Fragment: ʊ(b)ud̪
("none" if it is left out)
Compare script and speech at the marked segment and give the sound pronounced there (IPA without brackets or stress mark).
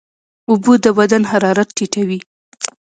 b